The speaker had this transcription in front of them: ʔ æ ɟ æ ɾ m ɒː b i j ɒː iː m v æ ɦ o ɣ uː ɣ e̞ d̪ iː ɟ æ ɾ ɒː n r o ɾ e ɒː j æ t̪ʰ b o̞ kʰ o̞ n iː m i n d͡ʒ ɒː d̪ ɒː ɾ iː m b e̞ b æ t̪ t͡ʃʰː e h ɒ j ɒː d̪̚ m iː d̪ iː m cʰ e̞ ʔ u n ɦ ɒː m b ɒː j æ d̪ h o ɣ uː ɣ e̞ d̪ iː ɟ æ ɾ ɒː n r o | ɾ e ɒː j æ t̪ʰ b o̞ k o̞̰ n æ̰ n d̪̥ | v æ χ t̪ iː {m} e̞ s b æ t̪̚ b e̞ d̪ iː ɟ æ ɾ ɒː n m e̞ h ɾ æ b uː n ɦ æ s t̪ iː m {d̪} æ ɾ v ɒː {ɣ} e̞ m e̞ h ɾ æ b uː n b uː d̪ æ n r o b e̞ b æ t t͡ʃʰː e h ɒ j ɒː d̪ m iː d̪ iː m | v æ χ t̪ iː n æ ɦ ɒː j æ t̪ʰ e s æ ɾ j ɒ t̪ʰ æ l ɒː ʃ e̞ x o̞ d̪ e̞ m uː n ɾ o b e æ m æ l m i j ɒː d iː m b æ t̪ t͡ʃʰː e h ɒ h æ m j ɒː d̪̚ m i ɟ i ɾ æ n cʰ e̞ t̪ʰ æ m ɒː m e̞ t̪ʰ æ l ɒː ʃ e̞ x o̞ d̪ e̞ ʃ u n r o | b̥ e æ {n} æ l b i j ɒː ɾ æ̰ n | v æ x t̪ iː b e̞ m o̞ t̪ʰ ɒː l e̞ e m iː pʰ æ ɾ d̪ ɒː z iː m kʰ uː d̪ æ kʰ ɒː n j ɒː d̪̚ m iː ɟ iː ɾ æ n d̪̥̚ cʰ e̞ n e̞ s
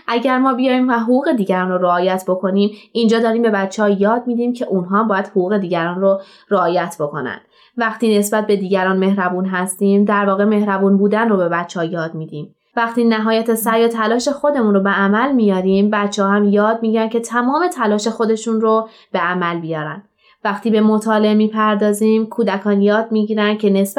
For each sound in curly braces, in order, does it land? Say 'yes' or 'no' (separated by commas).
no, yes, yes, no